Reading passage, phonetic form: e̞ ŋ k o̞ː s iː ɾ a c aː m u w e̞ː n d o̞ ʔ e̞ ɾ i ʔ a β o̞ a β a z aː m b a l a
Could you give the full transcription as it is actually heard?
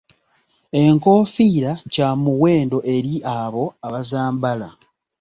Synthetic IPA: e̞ ŋ k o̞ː f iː ɾ a c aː m u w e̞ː n d o̞ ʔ e̞ ɾ i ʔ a β o̞ a β a z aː m b a l a